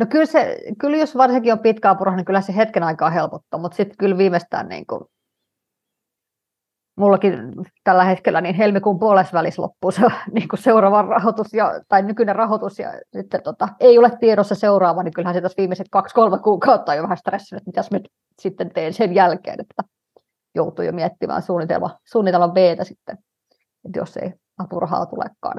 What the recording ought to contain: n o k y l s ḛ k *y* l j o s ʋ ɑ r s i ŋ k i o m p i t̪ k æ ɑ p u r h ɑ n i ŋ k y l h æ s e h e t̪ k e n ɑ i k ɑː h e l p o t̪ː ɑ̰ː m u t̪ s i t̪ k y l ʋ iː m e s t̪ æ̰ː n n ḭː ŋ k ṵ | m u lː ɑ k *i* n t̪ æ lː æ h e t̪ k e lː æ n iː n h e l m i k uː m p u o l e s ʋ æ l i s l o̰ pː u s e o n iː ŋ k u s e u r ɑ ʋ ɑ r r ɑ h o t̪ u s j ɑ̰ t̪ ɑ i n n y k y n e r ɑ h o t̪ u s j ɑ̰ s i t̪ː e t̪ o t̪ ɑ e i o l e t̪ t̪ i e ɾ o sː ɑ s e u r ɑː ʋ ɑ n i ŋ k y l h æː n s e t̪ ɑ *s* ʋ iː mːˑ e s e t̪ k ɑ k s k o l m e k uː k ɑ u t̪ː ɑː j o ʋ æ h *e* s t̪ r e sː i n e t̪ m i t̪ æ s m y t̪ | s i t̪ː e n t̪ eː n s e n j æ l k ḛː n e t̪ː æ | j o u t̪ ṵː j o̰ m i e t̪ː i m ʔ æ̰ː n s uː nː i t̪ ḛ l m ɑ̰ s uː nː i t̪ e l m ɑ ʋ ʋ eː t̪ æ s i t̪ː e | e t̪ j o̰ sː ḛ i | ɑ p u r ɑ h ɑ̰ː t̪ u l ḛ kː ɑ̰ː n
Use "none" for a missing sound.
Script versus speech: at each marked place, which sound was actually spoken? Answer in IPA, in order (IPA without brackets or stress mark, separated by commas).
y, i, s, æ